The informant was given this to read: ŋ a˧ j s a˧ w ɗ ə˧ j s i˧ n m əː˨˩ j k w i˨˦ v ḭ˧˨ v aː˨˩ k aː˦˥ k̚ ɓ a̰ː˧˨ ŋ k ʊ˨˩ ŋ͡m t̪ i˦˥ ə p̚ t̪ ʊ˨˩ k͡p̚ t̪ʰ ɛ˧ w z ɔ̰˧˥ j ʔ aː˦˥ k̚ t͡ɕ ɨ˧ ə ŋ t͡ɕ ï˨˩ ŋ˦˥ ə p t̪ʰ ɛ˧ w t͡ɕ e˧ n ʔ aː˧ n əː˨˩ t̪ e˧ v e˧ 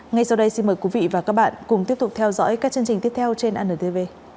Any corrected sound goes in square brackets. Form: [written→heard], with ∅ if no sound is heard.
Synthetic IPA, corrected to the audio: ŋ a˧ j s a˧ w ɗ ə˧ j s i˧ n m əː˨˩ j k w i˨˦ v ḭ˧˨ v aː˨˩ k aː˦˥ k̚ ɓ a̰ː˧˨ [ŋ→n] k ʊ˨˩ ŋ͡m t̪ i˦˥ ə p̚ t̪ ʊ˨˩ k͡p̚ t̪ʰ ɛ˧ w z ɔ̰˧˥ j [ʔ→k] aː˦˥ k̚ t͡ɕ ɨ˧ ə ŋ t͡ɕ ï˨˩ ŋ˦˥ ə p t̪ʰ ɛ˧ w t͡ɕ e˧ n ʔ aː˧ n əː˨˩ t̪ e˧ v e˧